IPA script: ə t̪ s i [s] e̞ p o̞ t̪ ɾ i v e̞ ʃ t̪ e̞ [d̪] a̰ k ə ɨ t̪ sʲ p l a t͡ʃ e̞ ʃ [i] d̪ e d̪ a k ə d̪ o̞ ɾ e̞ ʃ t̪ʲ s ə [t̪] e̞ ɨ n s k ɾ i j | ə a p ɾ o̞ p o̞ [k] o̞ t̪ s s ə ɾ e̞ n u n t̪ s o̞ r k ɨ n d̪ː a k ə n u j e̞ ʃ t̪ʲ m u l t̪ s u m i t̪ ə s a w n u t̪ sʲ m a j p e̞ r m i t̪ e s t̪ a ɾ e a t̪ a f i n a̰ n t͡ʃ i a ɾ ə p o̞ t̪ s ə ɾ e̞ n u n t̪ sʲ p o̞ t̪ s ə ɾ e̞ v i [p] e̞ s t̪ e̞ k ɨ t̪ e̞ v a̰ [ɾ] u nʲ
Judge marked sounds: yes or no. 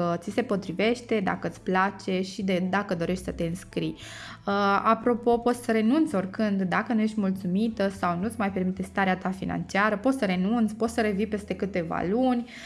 yes, yes, yes, yes, no, yes, no

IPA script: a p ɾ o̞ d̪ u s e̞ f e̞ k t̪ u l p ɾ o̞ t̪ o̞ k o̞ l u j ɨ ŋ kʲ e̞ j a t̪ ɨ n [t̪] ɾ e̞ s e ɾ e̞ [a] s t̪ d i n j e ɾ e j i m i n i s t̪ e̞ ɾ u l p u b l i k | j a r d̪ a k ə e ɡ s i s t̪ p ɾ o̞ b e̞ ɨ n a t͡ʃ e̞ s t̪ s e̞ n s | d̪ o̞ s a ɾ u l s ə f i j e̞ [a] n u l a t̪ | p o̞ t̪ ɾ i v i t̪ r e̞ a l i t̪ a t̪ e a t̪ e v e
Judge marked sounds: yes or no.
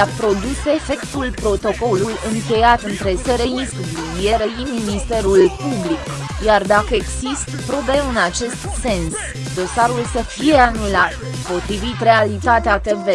yes, no, yes

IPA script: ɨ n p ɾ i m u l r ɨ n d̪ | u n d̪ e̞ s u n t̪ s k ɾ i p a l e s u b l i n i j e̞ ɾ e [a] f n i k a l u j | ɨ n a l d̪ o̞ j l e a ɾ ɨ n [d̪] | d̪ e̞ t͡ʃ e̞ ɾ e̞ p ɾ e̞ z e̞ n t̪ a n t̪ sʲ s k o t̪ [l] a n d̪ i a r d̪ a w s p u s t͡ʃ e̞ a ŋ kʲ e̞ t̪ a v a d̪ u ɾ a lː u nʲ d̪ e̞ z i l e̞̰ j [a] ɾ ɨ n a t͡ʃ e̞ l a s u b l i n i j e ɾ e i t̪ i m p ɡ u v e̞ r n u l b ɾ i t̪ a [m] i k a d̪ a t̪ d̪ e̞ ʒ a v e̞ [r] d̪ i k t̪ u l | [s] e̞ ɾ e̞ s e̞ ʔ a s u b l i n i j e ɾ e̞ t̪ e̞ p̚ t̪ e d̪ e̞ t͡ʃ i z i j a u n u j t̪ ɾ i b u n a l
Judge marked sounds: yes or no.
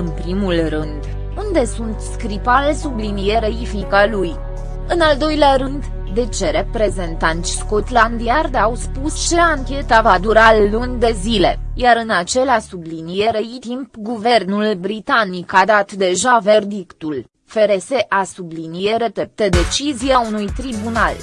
no, yes, yes, yes, no, yes, no

